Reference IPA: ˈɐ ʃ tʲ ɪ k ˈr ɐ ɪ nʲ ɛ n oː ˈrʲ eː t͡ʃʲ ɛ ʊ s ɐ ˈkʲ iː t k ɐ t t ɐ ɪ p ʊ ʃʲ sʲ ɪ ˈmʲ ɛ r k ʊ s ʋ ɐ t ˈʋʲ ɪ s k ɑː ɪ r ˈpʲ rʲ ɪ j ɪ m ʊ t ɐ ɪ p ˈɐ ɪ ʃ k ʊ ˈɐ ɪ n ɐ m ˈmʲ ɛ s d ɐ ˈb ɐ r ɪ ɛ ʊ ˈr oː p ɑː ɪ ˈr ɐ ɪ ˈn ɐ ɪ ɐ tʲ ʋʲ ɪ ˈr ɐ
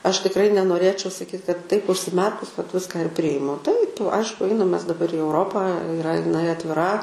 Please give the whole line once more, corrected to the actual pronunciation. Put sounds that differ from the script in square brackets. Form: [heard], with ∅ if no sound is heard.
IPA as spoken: ˈɐ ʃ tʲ ɪ k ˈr ɐ ɪ nʲ ɛ n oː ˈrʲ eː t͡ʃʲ ɛ ʊ s ɐ ˈkʲ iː t k ɐ t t ɐ ɪ p ʊ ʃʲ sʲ ɪ ˈmʲ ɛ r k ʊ s ʋ ɐ t ˈʋʲ ɪ s k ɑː ɪ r ˈpʲ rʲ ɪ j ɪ m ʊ t ɐ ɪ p ˈɐ ɪ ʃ k ʊ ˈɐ ɪ n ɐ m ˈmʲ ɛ s d ɐ ˈb ɐ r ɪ ɛ ʊ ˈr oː p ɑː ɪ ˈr ɐ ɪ ˈn ɐ ɪ ɐ tʲ ʋʲ ɪ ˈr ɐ